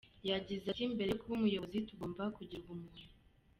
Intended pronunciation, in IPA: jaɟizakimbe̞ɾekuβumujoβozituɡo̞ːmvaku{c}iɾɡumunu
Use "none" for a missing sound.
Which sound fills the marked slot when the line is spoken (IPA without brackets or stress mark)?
ɟ